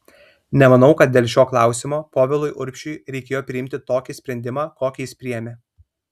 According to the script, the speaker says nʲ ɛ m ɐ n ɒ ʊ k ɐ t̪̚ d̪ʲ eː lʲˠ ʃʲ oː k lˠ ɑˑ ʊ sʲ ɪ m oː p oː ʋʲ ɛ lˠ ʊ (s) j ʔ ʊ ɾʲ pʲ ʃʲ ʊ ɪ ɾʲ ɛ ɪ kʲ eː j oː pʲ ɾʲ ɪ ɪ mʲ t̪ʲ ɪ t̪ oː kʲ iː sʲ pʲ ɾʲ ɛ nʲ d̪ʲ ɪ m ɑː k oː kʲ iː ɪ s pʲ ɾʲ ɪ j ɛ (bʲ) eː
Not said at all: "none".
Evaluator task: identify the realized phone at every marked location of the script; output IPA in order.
none, mʲ

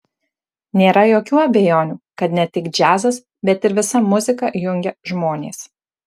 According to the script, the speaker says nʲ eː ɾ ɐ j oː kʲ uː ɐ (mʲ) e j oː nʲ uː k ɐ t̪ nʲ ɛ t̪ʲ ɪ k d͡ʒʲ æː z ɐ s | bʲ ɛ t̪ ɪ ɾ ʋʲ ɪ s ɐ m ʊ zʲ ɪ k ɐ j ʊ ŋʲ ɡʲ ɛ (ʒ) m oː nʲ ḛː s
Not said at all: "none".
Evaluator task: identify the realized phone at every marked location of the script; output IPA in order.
bʲ, ʒ

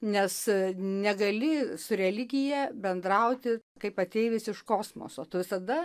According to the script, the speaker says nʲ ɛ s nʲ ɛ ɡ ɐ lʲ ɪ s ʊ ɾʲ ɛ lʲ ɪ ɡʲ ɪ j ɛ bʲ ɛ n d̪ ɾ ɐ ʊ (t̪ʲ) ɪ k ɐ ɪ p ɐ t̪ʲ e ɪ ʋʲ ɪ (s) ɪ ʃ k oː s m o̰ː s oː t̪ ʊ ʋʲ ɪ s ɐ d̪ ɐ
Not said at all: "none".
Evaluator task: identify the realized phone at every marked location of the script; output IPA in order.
t̪ʲ, s

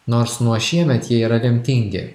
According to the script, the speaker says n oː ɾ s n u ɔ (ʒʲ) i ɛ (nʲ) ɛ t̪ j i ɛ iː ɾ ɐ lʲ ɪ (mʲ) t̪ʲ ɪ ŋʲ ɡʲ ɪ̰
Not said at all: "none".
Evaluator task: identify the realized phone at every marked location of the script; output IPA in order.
ʃʲ, mʲ, mʲ

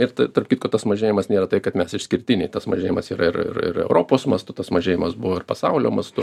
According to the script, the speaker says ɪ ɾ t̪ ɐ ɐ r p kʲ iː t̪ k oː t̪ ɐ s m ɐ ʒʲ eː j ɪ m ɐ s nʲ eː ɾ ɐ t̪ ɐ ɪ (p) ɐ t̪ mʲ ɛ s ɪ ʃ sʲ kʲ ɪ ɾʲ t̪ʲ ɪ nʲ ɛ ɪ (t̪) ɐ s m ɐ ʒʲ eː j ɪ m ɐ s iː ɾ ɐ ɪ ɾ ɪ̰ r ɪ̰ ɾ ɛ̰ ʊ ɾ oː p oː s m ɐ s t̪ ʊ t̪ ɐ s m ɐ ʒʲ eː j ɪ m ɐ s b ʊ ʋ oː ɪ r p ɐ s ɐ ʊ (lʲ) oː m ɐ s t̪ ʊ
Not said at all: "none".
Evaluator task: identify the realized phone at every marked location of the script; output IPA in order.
k, t̪, lʲ

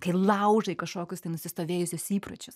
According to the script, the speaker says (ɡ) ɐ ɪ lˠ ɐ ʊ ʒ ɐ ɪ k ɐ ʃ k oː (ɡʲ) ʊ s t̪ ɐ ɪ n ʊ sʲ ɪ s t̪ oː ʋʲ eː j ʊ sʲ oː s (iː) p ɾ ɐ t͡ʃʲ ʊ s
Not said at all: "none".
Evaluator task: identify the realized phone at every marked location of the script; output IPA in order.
k, kʲ, iː

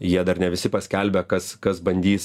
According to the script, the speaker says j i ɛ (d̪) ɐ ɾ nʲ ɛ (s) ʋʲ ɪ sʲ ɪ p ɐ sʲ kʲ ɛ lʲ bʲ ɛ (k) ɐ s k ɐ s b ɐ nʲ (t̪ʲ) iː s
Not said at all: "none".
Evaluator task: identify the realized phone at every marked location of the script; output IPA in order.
d̪, none, k, d̪ʲ

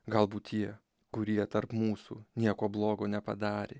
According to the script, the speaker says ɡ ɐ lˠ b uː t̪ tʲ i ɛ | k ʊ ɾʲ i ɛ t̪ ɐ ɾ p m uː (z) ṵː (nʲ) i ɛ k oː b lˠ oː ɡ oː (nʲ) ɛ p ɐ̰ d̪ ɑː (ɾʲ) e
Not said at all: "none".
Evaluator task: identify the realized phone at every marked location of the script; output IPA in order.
s, nʲ, nʲ, ɾʲ

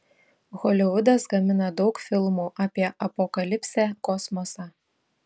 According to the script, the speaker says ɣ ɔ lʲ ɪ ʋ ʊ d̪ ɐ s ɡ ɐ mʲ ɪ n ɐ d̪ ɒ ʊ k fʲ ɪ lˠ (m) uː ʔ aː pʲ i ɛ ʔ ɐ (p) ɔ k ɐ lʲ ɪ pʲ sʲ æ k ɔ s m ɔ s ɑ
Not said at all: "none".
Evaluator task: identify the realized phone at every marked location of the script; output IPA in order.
m, p

